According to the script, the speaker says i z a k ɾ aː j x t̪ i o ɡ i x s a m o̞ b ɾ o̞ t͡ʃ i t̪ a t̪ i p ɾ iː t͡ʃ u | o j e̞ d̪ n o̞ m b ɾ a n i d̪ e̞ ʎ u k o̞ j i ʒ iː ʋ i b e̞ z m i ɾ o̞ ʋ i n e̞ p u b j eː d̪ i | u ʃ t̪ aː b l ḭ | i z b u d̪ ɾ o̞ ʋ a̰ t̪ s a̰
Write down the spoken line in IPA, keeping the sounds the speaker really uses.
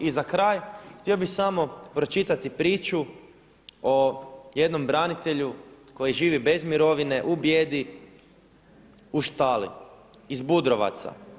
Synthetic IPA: i z a k ɾ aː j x t̪ i o b i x s a m o̞ p ɾ o̞ t͡ʃ i t̪ a t̪ i p ɾ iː t͡ʃ u | o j e̞ d̪ n o̞ m b ɾ a n i t̪ e̞ ʎ u k o̞ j i ʒ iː ʋ i b e̞ z m i ɾ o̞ ʋ i n e̞ ʔ u b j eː d̪ i | u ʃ t̪ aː l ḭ | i z b u d̪ ɾ o̞ ʋ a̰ t̪ s a̰